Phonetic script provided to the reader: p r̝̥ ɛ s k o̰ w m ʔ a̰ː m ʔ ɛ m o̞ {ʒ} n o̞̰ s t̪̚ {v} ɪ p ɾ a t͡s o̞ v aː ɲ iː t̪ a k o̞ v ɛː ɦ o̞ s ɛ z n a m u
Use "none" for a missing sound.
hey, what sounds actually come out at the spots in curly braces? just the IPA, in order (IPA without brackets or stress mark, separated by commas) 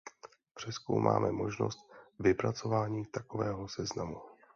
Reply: ʒ, v